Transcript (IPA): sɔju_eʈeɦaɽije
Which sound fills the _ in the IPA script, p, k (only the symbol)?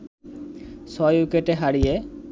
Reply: k